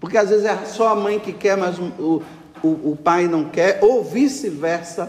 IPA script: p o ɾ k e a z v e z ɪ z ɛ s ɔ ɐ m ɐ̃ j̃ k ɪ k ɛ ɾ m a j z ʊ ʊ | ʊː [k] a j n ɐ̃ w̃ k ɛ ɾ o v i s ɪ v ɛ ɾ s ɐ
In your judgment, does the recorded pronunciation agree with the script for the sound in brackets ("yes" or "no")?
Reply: no